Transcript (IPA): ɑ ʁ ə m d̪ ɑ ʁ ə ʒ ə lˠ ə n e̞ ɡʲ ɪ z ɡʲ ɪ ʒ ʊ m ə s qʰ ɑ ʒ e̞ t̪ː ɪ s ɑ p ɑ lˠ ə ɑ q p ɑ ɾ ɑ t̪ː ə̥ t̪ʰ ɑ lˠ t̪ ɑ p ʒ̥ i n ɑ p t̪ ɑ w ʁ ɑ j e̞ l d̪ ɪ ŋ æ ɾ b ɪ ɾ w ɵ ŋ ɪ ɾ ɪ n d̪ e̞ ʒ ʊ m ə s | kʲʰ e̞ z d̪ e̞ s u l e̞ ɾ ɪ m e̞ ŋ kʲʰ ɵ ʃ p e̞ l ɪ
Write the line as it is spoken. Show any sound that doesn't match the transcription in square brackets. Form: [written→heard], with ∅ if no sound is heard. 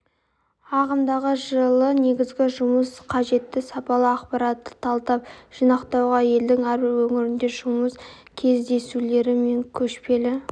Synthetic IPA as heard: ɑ ʁ ə m d̪ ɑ ʁ ə ʒ ə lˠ ə n e̞ ɡʲ ɪ z ɡʲ ɪ ʒ ʊ m ə s qʰ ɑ ʒ e̞ t̪ː ɪ s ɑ p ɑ lˠ ə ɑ q p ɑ ɾ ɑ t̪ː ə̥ t̪ʰ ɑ lˠ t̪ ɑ p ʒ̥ i n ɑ [p→q] t̪ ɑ w ʁ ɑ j e̞ l d̪ ɪ ŋ æ ɾ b ɪ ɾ w ɵ ŋ ɪ ɾ ɪ n d̪ e̞ ʒ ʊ m ə s | kʲʰ e̞ z d̪ e̞ s u l e̞ ɾ ɪ m e̞ ŋ kʲʰ ɵ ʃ p e̞ l ɪ